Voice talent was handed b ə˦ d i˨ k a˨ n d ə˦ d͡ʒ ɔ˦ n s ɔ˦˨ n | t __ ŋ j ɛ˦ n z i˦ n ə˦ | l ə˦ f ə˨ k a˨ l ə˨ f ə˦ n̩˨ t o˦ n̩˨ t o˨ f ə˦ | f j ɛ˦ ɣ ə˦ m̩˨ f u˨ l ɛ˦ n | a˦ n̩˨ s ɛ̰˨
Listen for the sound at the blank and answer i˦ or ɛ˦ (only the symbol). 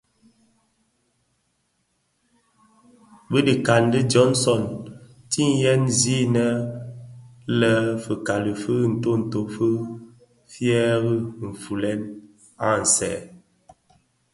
i˦